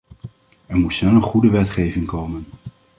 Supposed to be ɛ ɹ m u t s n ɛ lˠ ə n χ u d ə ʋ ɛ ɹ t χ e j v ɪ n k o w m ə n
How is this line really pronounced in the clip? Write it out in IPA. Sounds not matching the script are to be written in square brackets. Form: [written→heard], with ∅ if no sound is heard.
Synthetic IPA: ɛ ɹ m u t s n ɛ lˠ ə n χ u d ə ʋ ɛ [ɹ→∅] t χ e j v ɪ [n→ŋ] k o w m ə n